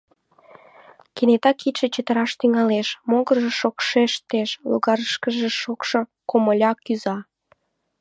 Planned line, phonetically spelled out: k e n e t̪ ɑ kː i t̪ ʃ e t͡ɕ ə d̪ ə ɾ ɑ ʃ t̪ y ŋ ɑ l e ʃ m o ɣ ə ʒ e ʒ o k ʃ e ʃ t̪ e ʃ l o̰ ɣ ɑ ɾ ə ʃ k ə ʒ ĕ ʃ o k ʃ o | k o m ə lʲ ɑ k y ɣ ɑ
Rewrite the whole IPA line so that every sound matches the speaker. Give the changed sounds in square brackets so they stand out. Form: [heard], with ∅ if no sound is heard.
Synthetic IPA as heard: k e n e t̪ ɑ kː i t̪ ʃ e t͡ɕ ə [t̪] ə ɾ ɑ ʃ t̪ y ŋ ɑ l e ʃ m o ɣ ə ʒ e [ʃ] o k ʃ e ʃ t̪ e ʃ l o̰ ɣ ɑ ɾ ə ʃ k ə ʒ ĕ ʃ o k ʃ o | k o m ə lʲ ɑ k y [z] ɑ